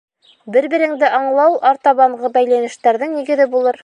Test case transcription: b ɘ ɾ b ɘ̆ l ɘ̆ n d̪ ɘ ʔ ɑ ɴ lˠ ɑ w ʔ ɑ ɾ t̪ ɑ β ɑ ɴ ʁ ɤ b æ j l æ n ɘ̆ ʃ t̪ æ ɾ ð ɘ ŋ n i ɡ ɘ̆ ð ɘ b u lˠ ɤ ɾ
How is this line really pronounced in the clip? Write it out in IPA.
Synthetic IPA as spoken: b ɘ ɾ b ɘ̆ ɾ ɘ̆ ŋ d̪ ɘ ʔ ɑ ɴ lˠ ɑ w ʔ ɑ ɾ t̪ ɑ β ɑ ɴ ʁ ɤ b æ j l æ n ɘ̆ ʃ t̪ æ ɾ ð ɘ ŋ n i ɡ ɘ̆ ð ɘ b u lˠ ɤ ɾ